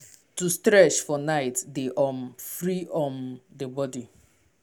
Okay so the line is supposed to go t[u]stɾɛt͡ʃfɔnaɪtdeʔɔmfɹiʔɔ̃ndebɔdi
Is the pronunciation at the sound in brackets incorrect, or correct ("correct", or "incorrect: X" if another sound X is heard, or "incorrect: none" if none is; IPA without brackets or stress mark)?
correct